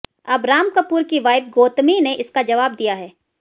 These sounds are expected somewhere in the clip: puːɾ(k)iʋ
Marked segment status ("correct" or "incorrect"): correct